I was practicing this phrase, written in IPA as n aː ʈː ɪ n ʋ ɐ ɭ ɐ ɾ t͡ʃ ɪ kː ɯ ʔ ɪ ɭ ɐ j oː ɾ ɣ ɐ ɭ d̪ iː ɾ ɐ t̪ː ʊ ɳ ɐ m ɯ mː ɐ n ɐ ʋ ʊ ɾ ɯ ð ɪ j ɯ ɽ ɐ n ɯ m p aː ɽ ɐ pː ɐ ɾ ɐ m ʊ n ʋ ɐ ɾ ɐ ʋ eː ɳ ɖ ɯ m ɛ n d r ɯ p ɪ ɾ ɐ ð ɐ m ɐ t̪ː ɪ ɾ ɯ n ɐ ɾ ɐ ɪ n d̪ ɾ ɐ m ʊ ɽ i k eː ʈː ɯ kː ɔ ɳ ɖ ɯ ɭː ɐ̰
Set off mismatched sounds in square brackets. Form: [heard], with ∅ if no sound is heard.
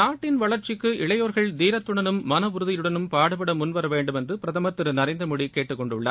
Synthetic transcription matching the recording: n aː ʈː ɪ n ʋ ɐ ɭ ɐ ɾ t͡ʃ ɪ kː ɯ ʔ ɪ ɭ ɐ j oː ɾ ɣ ɐ ɭ d̪ iː ɾ ɐ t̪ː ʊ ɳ ɐ [n] ɯ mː ɐ n ɐ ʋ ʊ ɾ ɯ ð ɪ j ɯ ɽ ɐ n ɯ m p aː ɽ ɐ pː ɐ [ɽ] ɐ m ʊ n ʋ ɐ ɾ ɐ ʋ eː ɳ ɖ ɯ m ɛ n d r ɯ p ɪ ɾ ɐ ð ɐ m ɐ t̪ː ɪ ɾ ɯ n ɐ ɾ ɐ ɪ n d̪ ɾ ɐ m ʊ ɽ i k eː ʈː ɯ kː ɔ ɳ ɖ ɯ ɭː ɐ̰